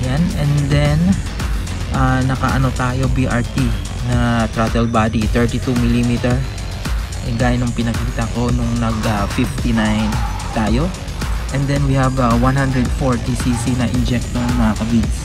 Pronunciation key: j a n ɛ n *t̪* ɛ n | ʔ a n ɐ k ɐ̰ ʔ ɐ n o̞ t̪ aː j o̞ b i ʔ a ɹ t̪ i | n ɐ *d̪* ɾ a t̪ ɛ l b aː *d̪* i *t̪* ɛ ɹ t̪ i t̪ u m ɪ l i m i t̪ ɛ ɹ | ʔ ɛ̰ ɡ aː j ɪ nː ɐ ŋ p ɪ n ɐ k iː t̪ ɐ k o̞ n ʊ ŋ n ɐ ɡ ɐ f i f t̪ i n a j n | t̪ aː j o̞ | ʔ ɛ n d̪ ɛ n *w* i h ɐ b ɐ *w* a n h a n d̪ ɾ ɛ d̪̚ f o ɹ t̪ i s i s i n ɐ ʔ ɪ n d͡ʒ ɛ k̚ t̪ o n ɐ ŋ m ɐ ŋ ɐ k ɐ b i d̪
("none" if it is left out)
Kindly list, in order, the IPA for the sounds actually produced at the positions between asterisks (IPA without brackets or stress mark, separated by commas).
d̪, t̪, d̪, t̪, w, w